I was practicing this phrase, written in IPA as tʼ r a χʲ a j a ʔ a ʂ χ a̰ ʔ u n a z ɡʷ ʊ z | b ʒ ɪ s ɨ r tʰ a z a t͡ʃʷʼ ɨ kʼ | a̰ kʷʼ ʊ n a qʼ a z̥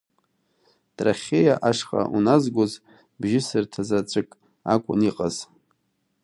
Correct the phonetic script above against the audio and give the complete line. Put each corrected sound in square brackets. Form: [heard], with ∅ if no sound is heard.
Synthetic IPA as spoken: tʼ r a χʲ [e] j a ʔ a ʂ χ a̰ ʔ u n a z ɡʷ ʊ z | b ʒ ɪ s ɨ r tʰ a z a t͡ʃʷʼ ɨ kʼ | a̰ kʷʼ ʊ n [i] qʼ a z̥